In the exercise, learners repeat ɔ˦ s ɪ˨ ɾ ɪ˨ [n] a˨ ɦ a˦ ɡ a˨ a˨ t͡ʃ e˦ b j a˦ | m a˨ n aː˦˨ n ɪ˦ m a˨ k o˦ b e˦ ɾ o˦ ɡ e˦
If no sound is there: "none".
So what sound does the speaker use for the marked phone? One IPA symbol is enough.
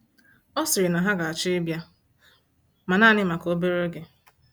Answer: n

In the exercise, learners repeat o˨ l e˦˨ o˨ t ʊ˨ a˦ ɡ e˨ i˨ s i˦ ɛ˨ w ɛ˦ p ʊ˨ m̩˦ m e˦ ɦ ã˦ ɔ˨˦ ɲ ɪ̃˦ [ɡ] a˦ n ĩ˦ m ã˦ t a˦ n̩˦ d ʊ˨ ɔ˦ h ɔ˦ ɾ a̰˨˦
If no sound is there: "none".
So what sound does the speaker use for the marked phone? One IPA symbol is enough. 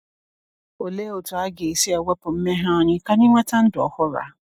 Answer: k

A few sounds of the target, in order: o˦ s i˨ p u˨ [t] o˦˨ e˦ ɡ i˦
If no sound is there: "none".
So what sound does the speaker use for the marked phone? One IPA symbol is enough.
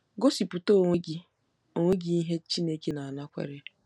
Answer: t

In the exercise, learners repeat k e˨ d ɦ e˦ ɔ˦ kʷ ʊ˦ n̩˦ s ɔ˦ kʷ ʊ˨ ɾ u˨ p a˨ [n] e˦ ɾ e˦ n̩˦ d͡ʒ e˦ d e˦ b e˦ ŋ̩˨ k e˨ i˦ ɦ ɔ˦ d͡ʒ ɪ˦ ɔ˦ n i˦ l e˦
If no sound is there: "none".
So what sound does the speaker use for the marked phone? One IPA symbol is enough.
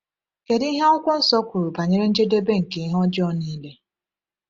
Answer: ɲ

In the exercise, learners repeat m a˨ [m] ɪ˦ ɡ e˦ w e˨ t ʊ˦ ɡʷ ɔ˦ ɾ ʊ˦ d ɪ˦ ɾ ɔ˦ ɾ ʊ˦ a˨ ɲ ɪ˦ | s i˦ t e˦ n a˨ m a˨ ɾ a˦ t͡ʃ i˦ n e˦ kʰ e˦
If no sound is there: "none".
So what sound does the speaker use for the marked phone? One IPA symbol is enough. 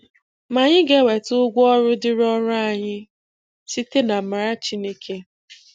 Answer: ɲ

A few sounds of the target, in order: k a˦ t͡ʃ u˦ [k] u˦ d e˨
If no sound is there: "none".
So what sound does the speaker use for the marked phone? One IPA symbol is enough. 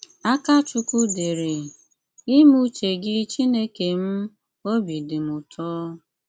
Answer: k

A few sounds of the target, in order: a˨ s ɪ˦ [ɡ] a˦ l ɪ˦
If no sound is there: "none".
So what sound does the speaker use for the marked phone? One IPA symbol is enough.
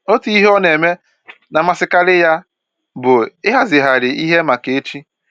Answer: k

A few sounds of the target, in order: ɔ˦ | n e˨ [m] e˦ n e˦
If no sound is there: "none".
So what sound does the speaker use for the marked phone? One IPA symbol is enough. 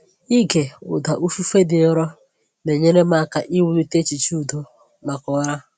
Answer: ɲ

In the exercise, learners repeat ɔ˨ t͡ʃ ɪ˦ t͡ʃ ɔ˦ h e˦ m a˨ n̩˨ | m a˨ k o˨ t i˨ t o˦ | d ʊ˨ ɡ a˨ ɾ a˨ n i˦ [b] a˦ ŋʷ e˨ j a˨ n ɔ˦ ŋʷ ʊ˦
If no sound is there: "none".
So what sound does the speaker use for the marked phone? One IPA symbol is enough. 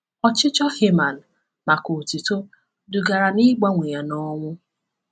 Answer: ɡ͡b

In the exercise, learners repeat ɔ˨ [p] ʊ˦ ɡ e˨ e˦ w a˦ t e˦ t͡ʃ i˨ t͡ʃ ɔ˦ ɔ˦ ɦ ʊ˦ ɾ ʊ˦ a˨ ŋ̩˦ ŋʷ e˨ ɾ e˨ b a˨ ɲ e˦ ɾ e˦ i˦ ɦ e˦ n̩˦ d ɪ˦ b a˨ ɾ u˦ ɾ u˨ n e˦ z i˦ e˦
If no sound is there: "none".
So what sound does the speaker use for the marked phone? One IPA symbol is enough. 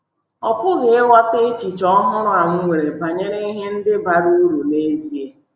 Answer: p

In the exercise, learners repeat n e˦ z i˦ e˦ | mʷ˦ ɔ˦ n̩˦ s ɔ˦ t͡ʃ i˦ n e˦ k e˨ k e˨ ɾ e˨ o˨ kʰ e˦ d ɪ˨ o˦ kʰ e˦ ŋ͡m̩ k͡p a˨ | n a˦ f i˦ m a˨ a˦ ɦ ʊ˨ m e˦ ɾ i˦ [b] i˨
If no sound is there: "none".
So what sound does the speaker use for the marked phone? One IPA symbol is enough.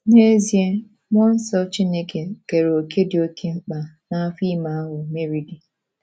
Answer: d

